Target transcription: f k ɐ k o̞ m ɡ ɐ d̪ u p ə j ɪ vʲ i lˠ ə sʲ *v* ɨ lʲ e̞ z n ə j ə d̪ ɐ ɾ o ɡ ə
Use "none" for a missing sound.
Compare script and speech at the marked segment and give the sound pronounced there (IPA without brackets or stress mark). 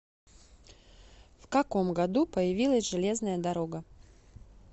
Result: ʐ